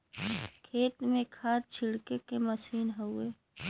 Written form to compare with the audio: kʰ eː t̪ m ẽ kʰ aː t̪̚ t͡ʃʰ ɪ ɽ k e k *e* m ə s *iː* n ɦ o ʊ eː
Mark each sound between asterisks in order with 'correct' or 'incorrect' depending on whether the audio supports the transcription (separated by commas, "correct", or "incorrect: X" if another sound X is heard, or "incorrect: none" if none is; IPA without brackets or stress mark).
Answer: correct, correct